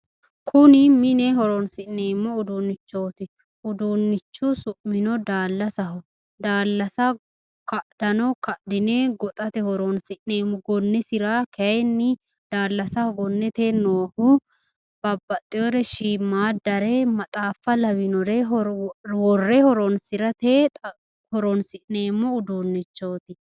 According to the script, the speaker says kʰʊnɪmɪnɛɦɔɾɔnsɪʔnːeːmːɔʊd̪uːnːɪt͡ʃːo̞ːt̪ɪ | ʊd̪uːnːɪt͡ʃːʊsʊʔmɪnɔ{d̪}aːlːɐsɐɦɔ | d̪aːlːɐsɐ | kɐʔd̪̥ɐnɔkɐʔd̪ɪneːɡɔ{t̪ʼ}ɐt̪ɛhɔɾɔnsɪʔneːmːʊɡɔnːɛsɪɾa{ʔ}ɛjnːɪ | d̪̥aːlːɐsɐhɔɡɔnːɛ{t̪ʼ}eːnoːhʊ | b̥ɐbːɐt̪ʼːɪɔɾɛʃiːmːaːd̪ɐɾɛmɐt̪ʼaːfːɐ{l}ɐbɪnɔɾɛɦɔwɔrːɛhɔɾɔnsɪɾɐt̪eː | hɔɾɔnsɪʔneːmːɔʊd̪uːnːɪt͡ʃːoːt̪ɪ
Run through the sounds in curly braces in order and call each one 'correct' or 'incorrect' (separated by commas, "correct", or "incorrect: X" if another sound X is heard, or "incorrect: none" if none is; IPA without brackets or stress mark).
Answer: correct, correct, incorrect: k, incorrect: t̪, correct